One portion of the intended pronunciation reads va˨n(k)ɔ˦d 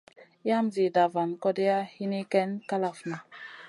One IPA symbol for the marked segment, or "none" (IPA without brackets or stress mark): k